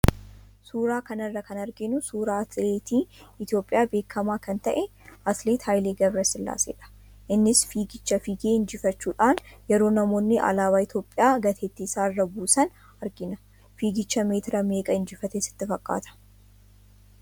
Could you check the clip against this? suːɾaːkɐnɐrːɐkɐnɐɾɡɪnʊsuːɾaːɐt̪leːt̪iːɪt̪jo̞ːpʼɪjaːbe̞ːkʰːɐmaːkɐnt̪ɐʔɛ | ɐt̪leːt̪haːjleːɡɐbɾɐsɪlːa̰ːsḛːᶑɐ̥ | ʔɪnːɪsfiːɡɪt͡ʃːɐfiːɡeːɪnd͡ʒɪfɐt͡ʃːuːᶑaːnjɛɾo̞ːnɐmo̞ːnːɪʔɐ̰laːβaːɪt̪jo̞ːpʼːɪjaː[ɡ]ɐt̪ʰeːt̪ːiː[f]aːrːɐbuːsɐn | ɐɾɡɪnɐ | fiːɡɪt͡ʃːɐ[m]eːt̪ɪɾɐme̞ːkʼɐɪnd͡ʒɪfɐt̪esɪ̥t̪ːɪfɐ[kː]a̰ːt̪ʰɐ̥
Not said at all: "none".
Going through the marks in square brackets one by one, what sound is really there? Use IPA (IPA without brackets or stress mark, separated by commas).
ɡ, s, m, kʼː